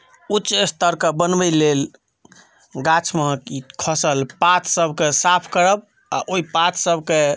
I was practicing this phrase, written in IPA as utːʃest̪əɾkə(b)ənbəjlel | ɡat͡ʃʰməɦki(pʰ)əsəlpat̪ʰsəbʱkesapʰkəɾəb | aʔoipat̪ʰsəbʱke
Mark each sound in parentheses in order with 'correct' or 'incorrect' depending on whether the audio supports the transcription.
correct, incorrect: kʰ

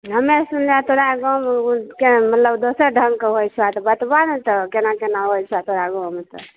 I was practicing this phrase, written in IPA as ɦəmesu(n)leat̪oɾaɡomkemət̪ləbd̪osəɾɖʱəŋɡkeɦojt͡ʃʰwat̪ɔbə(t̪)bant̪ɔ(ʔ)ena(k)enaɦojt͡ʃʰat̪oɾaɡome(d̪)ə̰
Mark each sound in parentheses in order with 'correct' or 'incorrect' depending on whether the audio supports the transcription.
correct, correct, incorrect: k, correct, incorrect: t̪

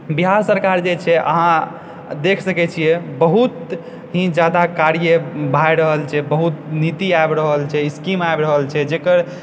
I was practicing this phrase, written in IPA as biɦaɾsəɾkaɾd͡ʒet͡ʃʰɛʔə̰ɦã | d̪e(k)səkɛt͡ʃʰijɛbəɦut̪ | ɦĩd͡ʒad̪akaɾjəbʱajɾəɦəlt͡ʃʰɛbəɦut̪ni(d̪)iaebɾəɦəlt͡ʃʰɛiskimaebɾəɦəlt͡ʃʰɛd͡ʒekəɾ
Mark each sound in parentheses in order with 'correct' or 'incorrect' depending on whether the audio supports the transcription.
incorrect: kʰ, incorrect: t̪

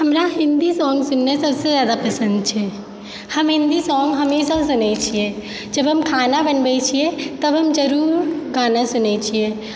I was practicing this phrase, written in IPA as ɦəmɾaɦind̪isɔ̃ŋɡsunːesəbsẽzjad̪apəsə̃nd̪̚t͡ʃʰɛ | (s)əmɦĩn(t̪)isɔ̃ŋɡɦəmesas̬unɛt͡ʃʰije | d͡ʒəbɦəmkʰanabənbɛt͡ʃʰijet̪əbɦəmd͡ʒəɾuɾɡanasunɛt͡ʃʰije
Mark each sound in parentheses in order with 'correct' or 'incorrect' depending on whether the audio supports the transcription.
incorrect: h, incorrect: d̪

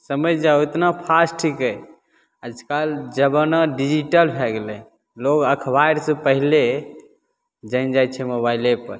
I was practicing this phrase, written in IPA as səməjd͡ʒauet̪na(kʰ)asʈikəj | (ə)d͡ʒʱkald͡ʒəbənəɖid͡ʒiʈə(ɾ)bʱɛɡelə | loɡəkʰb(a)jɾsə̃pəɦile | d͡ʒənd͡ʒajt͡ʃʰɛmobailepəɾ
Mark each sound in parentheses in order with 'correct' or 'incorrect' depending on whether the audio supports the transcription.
incorrect: pʰ, correct, incorrect: l, correct

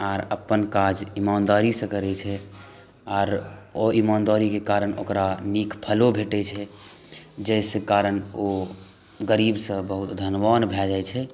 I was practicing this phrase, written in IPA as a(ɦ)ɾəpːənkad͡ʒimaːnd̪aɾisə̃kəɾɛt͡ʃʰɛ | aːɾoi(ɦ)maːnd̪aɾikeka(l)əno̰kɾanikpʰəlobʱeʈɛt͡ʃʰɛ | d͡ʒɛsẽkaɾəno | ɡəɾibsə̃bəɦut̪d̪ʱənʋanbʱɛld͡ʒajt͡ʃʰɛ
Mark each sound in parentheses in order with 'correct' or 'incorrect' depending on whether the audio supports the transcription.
incorrect: none, incorrect: none, incorrect: ɾ

